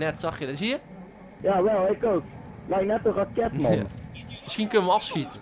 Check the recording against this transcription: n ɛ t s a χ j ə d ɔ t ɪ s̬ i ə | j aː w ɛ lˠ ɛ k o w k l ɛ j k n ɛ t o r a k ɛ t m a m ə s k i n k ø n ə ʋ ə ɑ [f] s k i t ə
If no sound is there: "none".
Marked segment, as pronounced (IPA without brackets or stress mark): f